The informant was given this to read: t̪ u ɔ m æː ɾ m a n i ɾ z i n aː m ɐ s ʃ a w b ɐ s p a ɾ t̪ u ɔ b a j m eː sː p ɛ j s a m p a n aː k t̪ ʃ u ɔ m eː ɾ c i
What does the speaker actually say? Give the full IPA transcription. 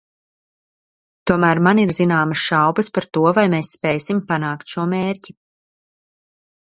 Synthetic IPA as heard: t̪ u ɔ m æː ɾ m a n i ɾ z i n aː m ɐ s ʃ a w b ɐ s p a ɾ t̪ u ɔ v a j m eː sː p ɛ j s i m p a n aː k t̪ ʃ u ɔ m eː ɾ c i